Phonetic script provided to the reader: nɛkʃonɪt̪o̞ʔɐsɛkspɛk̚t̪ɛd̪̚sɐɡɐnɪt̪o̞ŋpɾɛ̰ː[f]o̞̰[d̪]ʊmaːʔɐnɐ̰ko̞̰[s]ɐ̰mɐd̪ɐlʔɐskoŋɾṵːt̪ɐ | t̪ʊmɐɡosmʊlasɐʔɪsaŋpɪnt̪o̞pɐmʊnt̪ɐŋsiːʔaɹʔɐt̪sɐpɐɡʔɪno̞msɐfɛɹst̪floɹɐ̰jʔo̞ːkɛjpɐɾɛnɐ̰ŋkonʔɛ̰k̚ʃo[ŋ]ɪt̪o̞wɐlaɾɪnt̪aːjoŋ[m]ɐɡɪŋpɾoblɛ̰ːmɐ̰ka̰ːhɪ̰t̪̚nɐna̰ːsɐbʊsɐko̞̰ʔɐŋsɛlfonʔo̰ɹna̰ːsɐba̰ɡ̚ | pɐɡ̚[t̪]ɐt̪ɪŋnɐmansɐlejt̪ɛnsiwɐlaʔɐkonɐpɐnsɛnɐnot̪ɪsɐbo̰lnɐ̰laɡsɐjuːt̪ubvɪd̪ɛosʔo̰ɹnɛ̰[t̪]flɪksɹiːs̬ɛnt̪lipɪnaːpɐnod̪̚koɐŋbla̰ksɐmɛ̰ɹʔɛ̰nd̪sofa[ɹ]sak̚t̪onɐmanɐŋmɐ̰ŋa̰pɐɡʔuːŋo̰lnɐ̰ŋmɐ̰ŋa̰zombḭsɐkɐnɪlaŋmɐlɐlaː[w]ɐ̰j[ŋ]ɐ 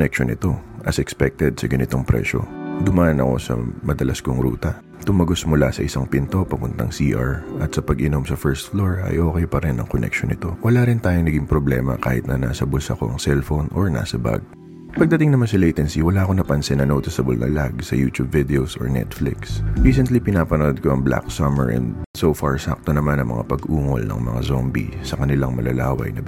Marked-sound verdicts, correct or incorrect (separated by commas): incorrect, correct, correct, incorrect, incorrect, incorrect, correct, correct, correct, incorrect